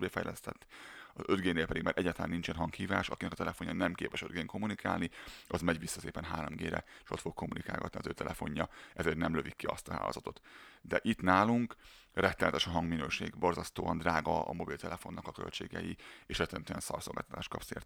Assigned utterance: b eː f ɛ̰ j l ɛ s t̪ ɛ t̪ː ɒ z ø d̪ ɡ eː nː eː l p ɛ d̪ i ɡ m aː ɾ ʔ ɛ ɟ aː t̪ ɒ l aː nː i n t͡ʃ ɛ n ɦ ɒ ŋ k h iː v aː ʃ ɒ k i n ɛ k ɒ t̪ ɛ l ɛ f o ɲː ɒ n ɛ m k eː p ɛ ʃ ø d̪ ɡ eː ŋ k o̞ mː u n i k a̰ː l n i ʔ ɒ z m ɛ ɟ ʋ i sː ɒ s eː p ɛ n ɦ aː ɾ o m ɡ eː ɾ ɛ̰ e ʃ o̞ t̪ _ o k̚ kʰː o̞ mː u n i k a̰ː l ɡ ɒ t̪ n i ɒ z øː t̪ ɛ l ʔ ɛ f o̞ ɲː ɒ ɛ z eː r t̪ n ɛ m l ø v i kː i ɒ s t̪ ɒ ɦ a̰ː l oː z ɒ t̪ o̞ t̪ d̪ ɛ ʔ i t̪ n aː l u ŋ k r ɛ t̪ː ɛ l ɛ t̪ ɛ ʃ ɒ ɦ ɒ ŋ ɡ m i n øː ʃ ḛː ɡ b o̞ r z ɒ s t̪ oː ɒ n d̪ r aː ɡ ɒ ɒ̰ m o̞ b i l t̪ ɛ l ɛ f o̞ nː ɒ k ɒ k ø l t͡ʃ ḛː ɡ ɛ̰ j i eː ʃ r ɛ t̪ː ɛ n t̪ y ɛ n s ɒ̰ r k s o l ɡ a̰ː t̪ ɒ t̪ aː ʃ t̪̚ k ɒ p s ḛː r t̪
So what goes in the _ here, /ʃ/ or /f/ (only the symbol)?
f